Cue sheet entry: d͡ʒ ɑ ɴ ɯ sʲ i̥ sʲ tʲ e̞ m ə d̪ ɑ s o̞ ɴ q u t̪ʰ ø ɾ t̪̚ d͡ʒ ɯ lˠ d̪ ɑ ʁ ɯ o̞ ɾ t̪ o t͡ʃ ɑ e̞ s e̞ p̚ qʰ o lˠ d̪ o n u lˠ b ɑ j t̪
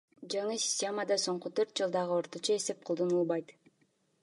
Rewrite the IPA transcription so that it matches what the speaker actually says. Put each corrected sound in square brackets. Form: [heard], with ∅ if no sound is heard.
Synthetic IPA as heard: d͡ʒ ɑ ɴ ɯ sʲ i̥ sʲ tʲ e̞ m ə d̪ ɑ s o̞ ɴ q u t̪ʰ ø ɾ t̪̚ d͡ʒ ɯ lˠ d̪ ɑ ʁ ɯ o̞ ɾ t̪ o t͡ʃ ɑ e̞ s e̞ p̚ qʰ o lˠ d̪ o n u lˠ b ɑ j t̪